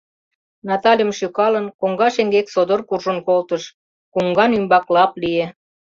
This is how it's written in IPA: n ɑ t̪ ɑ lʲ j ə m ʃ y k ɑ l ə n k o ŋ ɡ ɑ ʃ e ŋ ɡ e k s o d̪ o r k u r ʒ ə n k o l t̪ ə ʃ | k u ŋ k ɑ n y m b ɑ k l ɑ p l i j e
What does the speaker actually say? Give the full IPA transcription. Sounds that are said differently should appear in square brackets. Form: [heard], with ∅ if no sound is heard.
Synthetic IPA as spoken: n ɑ t̪ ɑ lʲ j ə m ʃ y k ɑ l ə n k o ŋ ɡ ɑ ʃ e ŋ ɡ e k s o d̪ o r k u r ʒ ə n k o l t̪ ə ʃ | k u ŋ [ɡ] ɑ n y m b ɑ k l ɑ p l i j e

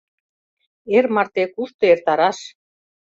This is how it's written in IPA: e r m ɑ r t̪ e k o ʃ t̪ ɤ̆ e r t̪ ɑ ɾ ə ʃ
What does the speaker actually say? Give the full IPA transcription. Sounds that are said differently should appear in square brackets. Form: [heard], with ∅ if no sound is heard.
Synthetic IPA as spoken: e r m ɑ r t̪ e k [u] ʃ t̪ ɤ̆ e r t̪ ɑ ɾ [ɑ] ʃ

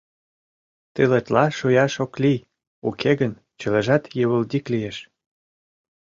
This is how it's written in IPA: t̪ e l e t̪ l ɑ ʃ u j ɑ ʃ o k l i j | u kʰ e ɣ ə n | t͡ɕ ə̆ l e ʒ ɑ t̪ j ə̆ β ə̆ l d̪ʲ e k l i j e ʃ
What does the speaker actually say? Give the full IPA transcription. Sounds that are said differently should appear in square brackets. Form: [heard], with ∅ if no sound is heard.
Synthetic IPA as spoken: t̪ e l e t̪ l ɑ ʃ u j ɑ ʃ o k l i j | u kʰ e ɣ ə n | t͡ɕ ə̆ l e ʒ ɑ t̪ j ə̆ β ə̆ l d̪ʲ [i] k l i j e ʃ

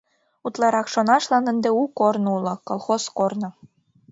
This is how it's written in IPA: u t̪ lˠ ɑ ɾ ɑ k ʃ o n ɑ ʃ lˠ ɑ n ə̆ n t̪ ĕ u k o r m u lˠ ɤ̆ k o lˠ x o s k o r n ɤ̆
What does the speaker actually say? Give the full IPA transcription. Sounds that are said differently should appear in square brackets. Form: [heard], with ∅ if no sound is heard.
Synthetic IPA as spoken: u t̪ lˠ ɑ ɾ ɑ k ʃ o n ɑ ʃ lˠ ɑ n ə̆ n [d̪] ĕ u k o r [n] u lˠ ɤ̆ k o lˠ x o s k o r n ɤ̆

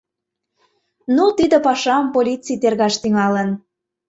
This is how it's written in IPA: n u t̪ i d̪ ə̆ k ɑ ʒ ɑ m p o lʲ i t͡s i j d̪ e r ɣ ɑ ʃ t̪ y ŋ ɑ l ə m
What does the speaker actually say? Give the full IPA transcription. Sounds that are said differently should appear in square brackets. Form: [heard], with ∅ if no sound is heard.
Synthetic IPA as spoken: n u t̪ i d̪ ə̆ [p] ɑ [ʃ] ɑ m p o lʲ i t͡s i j [t̪] e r ɣ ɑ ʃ t̪ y ŋ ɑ l ə [n]

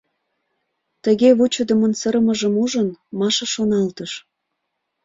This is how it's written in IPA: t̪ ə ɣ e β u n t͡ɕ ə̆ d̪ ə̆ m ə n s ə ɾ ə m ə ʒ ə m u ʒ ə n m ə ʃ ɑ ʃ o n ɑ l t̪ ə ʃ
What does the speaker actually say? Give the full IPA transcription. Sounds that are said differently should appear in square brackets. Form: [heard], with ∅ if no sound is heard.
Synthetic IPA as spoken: t̪ ə ɣ e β u [∅] t͡ɕ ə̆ d̪ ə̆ m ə n s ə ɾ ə m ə ʒ ə m u ʒ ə n m [ɑ] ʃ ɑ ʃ o n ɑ l t̪ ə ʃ

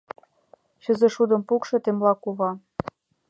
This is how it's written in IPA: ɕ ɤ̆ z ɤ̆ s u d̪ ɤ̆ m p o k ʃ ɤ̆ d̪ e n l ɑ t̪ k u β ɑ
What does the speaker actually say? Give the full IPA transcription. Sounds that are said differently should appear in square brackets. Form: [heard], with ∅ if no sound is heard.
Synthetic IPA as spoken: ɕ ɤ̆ z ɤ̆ [ʃ] u d̪ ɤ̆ m p [u] k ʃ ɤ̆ [t̪] e [m] l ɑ [∅] k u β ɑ

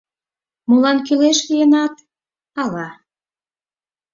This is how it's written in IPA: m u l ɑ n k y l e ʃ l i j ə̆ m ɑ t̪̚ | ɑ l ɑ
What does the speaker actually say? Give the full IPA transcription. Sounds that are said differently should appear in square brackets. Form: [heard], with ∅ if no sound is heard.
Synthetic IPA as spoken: m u l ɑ n k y l e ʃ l i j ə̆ [n] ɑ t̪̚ | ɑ l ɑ

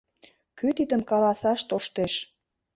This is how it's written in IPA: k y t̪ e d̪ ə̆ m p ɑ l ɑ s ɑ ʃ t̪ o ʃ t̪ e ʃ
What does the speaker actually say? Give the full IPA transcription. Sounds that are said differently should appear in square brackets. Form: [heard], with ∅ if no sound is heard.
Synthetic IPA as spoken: k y t̪ [i] d̪ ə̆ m [k] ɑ l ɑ s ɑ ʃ t̪ o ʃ t̪ e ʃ

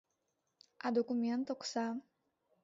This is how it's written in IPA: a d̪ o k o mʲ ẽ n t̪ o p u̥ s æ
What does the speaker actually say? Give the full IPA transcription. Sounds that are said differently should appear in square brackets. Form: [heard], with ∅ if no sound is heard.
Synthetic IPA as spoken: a d̪ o k [u] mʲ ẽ n t̪ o [k] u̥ s [a]

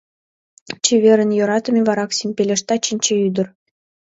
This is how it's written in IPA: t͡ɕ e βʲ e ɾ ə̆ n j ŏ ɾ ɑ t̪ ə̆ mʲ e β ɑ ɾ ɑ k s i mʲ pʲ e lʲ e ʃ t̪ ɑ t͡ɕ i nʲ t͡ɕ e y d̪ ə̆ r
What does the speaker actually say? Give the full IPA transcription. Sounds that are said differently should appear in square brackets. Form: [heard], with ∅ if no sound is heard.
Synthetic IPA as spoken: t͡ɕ e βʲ e ɾ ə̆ n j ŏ ɾ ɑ t̪ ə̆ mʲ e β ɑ ɾ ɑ k s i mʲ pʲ e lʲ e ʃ t̪ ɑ t͡ɕ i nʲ t͡ɕ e y d̪ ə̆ r

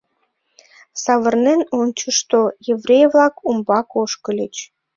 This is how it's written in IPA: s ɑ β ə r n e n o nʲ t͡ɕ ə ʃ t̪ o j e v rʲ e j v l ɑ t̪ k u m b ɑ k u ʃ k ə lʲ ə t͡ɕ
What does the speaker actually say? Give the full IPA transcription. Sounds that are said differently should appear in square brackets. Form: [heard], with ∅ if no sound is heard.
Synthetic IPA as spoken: s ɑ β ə r n e n o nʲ t͡ɕ ə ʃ t̪ o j e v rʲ e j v l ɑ [∅] k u m b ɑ k [o] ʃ k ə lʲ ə t͡ɕ

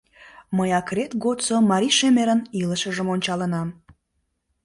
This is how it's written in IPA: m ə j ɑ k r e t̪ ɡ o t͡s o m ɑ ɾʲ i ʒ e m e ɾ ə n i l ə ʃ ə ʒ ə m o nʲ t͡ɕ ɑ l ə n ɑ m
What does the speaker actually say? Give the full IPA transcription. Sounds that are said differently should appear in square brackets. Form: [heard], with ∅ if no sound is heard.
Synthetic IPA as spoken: m ə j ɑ k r e t̪ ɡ o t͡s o m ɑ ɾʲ i [ʃ] e m e ɾ ə n i l ə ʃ ə ʒ ə m o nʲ t͡ɕ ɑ l ə n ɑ m

